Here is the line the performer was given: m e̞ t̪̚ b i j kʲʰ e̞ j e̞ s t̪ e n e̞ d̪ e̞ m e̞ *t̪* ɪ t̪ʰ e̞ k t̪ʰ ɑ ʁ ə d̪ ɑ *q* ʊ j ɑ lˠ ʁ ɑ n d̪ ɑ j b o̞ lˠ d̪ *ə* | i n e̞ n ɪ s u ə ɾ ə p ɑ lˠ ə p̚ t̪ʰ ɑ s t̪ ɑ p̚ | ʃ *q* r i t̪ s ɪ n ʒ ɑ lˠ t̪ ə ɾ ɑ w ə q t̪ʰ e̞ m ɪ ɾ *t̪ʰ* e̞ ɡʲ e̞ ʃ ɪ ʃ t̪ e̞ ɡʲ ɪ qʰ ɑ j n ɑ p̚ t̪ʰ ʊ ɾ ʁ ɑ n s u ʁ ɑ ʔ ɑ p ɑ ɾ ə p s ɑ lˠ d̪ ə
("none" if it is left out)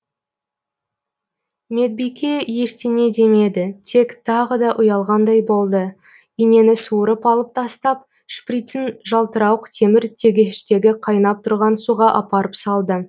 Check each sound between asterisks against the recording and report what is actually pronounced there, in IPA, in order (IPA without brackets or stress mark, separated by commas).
d̪, ʔ, ə, p, t̪ʰ